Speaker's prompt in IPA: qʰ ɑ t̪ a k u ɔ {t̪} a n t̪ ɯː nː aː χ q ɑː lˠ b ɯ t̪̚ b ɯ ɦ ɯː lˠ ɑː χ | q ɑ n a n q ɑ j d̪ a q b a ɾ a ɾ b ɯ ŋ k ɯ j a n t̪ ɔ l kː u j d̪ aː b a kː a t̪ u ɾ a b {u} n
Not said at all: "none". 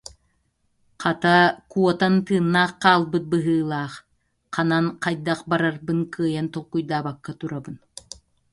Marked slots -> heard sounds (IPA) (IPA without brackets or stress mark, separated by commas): t̪, ɯ